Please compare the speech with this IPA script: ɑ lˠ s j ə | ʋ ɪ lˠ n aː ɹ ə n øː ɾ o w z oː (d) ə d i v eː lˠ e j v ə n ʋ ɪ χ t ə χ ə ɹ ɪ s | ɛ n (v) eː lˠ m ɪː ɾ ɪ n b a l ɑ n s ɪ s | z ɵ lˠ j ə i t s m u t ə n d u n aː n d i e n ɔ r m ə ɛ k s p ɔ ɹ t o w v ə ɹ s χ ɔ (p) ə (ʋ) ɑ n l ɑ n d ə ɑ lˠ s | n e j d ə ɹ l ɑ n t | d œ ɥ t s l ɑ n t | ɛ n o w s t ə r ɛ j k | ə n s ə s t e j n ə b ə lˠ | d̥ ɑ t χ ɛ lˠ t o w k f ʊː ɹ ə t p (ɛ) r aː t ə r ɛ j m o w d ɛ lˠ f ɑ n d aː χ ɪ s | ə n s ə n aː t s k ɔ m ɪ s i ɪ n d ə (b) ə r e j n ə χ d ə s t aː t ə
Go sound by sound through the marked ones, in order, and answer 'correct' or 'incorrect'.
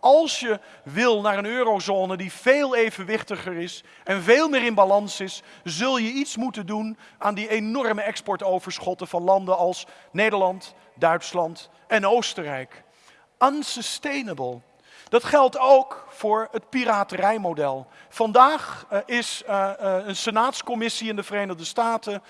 incorrect, correct, incorrect, incorrect, incorrect, incorrect

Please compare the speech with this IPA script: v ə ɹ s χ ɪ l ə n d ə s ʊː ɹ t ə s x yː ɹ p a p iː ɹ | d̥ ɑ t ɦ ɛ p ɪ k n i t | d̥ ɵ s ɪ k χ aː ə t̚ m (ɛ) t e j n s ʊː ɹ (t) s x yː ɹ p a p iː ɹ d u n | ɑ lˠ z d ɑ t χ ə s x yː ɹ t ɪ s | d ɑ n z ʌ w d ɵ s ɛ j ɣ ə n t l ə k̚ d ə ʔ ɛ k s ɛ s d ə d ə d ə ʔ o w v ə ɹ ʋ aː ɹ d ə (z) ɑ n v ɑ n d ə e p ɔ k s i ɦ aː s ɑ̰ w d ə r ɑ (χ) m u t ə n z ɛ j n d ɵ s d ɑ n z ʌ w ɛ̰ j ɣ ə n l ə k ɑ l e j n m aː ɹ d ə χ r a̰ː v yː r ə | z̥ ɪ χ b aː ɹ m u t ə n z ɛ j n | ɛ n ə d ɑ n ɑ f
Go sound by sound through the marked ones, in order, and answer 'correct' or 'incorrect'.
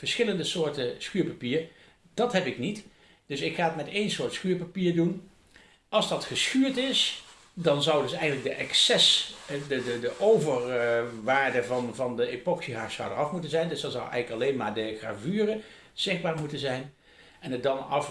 correct, correct, incorrect, incorrect

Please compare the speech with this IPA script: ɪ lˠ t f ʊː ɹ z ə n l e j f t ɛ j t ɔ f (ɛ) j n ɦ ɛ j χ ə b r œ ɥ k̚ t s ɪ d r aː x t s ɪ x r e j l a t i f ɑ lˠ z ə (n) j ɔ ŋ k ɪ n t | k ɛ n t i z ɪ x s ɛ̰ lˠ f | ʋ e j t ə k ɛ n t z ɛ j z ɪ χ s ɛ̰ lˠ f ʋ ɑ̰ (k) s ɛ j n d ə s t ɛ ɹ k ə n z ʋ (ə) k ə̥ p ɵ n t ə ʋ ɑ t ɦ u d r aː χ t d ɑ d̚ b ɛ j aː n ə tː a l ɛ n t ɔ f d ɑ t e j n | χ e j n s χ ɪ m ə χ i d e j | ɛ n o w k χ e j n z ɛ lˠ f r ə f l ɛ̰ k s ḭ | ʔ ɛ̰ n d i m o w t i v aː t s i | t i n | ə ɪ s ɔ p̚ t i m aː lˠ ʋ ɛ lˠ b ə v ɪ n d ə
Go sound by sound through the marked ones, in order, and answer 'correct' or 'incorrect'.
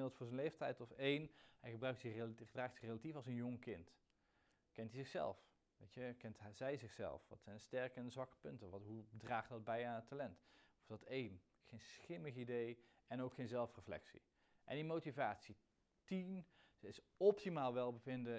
incorrect, correct, incorrect, incorrect

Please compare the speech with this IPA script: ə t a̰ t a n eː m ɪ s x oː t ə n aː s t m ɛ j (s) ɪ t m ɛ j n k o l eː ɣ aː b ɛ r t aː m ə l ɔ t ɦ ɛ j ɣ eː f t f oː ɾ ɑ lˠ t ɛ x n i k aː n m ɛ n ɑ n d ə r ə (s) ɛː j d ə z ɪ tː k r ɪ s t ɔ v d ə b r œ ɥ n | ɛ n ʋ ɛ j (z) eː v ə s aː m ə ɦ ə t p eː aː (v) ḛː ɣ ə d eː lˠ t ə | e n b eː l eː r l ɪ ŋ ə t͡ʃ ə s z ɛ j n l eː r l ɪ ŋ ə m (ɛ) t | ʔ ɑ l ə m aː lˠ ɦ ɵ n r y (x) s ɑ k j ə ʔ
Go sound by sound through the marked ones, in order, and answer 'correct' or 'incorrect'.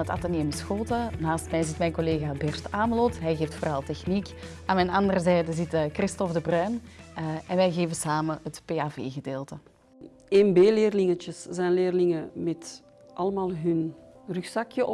incorrect, incorrect, incorrect, correct, correct, correct

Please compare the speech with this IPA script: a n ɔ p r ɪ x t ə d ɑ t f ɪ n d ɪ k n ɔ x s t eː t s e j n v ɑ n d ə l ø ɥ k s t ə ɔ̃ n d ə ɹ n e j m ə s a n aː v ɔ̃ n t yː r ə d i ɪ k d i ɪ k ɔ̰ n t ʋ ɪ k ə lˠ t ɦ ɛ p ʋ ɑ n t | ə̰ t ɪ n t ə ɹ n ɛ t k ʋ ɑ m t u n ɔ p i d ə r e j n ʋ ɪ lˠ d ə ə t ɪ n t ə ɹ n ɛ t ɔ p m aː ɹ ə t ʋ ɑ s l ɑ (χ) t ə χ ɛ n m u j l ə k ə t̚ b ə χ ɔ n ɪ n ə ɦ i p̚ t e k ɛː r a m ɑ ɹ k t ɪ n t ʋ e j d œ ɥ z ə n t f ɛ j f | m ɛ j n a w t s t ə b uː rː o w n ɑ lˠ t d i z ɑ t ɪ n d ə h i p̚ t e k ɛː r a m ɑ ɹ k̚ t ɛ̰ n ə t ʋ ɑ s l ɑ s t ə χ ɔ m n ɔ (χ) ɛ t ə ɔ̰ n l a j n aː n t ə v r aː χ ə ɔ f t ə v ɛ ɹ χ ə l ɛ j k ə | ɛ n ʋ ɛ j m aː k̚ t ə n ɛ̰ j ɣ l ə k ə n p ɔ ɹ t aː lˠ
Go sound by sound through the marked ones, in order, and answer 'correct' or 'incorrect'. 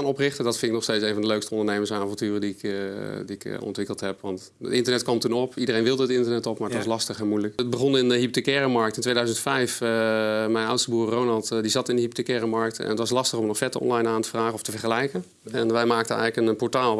incorrect, incorrect

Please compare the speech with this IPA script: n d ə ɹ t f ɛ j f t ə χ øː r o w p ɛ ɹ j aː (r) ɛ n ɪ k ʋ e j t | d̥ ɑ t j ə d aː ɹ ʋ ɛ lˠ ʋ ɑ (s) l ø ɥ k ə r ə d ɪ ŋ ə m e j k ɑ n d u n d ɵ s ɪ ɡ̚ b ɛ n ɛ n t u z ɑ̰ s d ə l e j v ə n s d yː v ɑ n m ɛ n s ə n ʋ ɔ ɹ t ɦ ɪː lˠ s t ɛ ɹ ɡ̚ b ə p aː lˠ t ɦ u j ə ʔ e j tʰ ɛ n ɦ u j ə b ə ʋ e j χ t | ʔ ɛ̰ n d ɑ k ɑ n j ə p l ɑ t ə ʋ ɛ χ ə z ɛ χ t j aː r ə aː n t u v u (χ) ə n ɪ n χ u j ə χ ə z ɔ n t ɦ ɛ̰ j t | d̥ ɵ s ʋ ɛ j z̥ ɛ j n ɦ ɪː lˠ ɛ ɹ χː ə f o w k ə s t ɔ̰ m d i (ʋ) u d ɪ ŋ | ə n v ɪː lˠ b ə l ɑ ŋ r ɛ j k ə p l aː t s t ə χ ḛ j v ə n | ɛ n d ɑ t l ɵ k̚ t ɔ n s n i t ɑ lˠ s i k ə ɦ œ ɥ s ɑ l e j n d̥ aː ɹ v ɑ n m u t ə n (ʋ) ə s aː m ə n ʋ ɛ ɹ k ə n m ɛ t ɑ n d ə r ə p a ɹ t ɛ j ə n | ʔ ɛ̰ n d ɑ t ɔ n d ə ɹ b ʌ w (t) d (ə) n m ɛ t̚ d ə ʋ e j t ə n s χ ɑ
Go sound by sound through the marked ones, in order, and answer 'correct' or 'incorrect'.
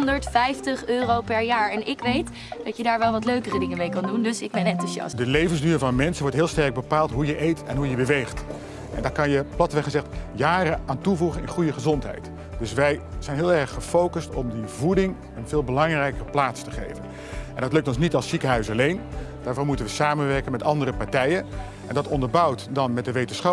incorrect, incorrect, correct, incorrect, correct, correct, incorrect

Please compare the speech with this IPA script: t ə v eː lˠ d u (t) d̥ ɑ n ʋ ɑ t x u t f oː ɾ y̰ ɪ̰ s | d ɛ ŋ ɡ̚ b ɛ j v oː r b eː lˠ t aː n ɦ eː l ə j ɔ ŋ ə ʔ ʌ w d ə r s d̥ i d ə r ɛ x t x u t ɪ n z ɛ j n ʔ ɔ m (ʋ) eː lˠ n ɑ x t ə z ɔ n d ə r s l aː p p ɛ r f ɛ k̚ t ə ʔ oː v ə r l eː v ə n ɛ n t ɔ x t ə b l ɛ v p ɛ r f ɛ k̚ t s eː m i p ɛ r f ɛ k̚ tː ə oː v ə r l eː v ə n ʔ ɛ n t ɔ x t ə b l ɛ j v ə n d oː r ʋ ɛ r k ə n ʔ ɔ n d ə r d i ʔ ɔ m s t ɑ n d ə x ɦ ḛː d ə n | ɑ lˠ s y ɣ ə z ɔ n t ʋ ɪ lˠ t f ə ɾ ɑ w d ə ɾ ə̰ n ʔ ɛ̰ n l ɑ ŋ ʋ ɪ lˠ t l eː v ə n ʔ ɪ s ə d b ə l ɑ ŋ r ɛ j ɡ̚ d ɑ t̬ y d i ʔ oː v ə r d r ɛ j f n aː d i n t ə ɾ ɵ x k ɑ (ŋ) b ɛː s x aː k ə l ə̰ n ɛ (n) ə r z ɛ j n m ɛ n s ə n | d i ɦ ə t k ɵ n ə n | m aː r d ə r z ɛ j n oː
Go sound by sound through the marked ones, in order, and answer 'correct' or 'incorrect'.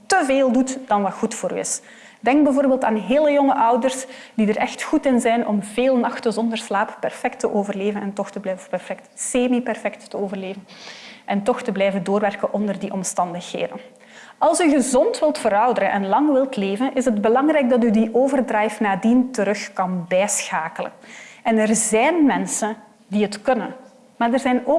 correct, incorrect, incorrect, correct

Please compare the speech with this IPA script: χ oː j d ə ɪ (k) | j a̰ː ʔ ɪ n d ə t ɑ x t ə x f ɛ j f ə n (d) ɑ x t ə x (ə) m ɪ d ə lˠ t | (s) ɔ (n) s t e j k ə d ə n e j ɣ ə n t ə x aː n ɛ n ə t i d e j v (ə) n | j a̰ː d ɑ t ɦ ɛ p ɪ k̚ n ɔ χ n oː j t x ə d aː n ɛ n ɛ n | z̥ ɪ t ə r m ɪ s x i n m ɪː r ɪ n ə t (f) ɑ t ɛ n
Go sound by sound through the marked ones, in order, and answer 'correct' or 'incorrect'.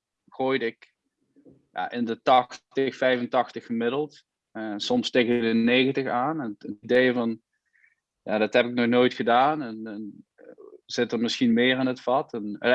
correct, incorrect, correct, correct, incorrect, incorrect, correct

